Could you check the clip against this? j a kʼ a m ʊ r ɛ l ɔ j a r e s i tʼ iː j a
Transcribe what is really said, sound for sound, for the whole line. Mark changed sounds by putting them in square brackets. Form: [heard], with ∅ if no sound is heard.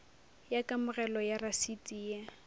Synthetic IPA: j a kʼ a m ʊ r ɛ l ɔ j a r [a] s i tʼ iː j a